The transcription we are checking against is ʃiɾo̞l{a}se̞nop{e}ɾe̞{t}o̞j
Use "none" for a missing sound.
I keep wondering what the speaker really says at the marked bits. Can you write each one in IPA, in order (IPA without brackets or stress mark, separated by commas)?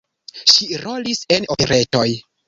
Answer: i, e, t